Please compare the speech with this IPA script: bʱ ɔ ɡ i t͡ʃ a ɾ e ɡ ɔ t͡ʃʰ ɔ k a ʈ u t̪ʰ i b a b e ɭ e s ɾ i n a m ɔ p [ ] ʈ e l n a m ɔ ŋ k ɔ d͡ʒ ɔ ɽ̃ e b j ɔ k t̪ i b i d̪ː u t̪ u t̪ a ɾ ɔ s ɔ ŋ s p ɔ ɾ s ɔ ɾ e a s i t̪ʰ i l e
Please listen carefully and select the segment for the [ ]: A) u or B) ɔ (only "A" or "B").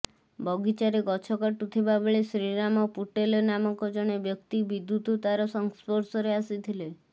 A